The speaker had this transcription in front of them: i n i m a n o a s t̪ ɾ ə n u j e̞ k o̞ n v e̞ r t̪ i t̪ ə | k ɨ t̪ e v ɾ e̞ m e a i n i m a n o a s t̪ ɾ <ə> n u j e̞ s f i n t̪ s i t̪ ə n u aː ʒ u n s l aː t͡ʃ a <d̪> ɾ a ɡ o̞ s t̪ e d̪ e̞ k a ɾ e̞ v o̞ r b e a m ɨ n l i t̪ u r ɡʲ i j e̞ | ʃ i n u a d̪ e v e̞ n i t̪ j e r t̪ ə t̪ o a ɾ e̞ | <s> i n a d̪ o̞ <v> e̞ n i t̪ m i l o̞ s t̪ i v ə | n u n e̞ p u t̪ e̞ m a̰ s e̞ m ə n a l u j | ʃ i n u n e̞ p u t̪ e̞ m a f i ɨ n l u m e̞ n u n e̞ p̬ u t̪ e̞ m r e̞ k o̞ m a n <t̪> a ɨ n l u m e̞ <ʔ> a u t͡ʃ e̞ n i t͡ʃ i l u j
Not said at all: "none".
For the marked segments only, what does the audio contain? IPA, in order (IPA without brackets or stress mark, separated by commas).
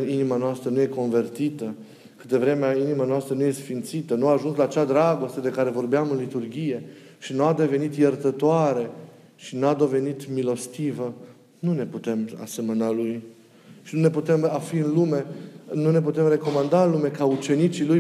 ə, d̪, ʃ, v, d̪, k